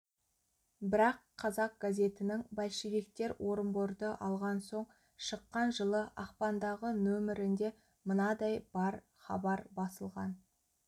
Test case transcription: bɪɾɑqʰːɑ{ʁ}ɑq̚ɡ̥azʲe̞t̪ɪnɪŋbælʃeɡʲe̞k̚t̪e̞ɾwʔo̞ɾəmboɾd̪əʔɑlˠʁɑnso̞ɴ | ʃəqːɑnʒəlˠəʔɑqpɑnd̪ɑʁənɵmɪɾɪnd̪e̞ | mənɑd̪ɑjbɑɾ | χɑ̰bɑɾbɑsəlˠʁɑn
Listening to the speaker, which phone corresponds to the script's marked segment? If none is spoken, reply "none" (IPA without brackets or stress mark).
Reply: z